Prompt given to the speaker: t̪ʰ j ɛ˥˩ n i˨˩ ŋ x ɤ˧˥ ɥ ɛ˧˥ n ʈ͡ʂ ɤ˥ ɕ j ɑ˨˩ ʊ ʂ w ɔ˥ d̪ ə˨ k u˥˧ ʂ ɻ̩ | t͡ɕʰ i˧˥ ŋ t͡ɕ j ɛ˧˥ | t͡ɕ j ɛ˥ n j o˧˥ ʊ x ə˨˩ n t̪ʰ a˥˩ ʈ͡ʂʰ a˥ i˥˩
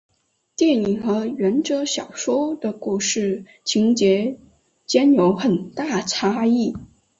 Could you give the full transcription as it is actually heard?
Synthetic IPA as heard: t̪ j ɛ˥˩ n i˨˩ ŋ x ɤ˧˥ ɥ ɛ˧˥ n ʈ͡ʂ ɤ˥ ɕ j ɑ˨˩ ʊ ʂ w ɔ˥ d̪ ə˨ k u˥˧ ʂ ɻ̩ | t͡ɕʰ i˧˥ ŋ t͡ɕ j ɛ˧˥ | t͡ɕ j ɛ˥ n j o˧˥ ʊ x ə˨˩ n t̪ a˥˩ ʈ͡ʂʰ a˥ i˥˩